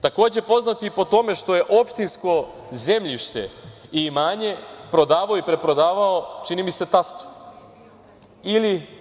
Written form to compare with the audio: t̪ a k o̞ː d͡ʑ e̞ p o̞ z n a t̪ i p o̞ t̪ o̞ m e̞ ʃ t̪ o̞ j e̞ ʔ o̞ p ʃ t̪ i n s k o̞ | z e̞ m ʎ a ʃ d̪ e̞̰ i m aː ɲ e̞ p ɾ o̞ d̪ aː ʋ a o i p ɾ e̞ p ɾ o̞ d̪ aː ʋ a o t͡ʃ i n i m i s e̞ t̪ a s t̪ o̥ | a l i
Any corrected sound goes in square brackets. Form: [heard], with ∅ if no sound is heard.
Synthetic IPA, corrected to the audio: t̪ a k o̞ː d͡ʑ e̞ p o̞ z n a t̪ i p o̞ t̪ o̞ m e̞ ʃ t̪ o̞ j e̞ ʔ o̞ p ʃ t̪ i n s k o̞ | z e̞ m ʎ [i] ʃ [t̪] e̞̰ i m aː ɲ e̞ p ɾ o̞ d̪ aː ʋ a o i p ɾ e̞ p ɾ o̞ d̪ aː ʋ a o t͡ʃ i n i m i s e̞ t̪ a s t̪ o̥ | [i] l i